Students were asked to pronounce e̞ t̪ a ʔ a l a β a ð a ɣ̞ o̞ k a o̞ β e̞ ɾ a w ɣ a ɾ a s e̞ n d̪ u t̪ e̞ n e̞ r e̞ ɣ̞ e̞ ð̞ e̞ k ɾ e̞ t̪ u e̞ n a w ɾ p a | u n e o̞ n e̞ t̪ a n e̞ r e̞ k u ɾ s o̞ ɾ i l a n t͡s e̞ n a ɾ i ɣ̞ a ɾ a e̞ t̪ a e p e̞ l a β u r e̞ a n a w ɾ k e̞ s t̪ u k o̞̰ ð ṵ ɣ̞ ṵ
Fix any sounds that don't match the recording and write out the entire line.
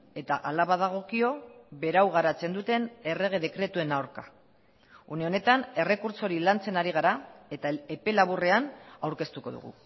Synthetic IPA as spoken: e̞ t̪ a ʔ a l a β a ð a ɣ̞ o̞ k i o̞ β e̞ ɾ a w ɣ a ɾ a t͡s e̞ n d̪ u t̪ e̞ n e̞ r e̞ ɣ̞ e̞ ð̞ e̞ k ɾ e̞ t̪ u e̞ n a w ɾ k a | u n e o̞ n e̞ t̪ a n e̞ r e̞ k u ɾ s o̞ ɾ i l a n t͡s e̞ n a ɾ i ɣ̞ a ɾ a e̞ t̪ a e p e̞ l a β u r e̞ a n a w ɾ k e̞ s t̪ u k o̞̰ ð ṵ ɣ̞ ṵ